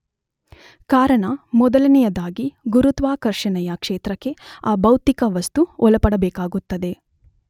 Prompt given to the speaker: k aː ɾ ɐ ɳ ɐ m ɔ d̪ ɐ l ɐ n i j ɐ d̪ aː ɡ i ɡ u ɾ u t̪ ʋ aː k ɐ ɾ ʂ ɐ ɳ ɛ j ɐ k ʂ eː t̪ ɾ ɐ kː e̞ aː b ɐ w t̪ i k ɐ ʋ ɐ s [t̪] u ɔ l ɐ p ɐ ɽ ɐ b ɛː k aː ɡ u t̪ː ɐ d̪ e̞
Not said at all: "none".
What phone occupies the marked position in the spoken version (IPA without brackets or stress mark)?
t̪